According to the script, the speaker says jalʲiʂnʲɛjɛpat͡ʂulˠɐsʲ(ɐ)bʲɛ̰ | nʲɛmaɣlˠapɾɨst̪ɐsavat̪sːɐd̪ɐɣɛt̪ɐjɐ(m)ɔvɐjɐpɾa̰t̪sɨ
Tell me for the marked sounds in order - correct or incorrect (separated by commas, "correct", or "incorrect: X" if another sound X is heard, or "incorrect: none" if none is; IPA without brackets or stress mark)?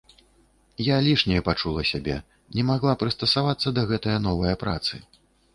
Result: incorrect: a, incorrect: n